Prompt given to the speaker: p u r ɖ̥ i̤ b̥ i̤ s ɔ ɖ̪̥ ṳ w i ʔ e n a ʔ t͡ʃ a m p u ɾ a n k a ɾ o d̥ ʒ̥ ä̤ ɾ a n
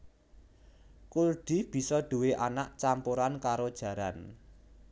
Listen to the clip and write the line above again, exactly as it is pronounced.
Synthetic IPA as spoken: k u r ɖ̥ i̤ b̥ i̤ s ɔ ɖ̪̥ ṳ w e ʔ a n a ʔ t͡ʃ a m p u ɾ a n k a ɾ o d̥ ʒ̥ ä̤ ɾ a n

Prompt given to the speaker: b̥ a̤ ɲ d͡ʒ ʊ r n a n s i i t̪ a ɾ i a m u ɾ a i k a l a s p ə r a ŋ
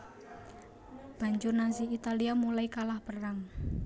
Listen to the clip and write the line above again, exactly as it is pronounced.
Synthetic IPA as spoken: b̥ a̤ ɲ d͡ʒ ʊ r n a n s i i t̪ a l i a m u l a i k a l a h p ə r a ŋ

